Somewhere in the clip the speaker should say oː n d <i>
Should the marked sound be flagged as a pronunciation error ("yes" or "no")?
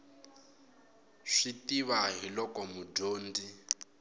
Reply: no